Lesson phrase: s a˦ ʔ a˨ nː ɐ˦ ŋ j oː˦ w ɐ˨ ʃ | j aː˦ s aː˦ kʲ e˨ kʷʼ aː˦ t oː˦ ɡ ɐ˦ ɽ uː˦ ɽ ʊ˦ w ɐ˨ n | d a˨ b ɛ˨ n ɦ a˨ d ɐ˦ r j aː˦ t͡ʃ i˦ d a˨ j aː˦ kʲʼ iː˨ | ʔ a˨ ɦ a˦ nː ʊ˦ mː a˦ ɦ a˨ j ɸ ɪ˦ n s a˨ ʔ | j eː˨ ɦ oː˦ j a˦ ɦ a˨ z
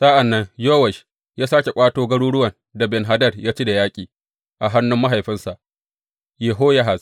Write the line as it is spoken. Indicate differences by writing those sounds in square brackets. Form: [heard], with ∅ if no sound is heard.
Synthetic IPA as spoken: s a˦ ʔ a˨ nː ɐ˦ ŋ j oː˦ w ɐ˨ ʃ | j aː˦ s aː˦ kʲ e˨ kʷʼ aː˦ t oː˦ ɡ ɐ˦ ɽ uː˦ ɽ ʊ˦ w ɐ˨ n | d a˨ b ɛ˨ n ɦ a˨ d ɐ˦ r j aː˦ t͡ʃ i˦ d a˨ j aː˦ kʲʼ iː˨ | ʔ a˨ ɦ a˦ nː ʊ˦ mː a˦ ɦ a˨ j ɸ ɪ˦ n s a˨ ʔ | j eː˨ ɦ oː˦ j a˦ ɦ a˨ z